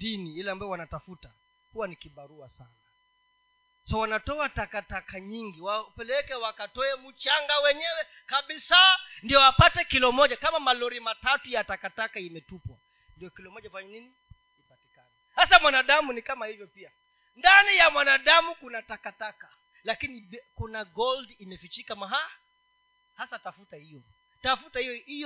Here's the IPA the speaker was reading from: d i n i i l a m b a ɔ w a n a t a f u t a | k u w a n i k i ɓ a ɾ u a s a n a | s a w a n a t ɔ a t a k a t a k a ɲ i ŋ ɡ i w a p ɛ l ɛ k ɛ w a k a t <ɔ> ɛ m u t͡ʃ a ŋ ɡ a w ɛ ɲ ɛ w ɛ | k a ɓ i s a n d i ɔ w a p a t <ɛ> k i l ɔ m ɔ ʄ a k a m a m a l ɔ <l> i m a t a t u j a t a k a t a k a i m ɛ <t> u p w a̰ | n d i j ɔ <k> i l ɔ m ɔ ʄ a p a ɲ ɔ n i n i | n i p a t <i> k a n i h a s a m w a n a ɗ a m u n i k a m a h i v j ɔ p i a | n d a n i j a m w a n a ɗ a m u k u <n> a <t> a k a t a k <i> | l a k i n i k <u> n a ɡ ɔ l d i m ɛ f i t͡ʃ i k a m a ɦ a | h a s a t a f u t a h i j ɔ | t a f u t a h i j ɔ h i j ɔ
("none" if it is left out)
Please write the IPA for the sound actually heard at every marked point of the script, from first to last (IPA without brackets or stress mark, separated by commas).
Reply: ɔ, ɛ, ɾ, t, k, i, n, t, a, u